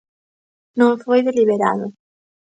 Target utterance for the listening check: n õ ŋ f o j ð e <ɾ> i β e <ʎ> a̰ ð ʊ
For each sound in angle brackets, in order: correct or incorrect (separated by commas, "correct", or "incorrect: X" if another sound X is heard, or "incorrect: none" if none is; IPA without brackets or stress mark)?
incorrect: l, incorrect: ɾ